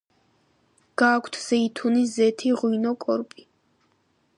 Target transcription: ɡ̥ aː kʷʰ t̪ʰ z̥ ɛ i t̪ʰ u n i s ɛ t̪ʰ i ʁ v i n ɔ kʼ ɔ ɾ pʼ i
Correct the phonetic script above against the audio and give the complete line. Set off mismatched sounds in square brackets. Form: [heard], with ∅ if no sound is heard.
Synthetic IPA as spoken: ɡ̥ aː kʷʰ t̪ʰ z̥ ɛ i t̪ʰ u n i [z] ɛ t̪ʰ i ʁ [w] i n ɔ kʼ ɔ ɾ pʼ i